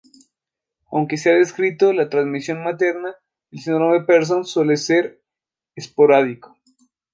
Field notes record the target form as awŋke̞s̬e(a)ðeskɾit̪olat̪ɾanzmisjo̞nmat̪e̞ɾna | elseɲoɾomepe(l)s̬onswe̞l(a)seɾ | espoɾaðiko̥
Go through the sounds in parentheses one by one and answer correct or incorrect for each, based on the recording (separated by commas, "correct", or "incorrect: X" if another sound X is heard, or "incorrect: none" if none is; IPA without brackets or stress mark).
correct, incorrect: ɾ, incorrect: e